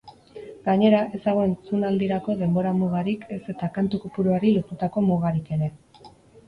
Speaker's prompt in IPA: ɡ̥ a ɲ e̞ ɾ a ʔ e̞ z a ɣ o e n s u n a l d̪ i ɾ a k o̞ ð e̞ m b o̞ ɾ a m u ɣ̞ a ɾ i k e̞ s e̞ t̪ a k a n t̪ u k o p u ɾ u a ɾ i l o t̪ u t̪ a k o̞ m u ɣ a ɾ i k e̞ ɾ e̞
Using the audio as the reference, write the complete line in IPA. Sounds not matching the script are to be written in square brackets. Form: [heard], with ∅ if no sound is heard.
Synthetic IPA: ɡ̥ a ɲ e̞ ɾ a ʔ e̞ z a ɣ o e n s u n a l d̪ i ɾ a k o̞ ð e̞ m b o̞ ɾ a m u ɣ̞ a ɾ i k e̞ s e̞ t̪ a k a n t̪ u k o p u ɾ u a ɾ i l o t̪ u t̪ a k o̞ m u ɣ a ɾ i k e̞ ɾ e̞